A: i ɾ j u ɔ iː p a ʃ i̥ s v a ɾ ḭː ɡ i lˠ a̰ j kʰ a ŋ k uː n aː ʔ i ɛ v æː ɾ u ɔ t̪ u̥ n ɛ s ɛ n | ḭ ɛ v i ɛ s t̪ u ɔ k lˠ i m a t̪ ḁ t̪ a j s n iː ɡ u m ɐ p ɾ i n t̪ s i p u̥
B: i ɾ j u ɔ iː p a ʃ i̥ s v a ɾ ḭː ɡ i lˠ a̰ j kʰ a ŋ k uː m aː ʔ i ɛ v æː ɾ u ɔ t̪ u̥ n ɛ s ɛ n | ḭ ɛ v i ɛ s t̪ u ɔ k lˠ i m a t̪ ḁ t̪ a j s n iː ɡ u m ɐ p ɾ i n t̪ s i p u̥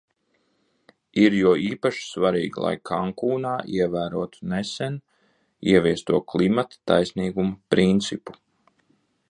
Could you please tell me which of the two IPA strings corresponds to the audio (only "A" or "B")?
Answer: A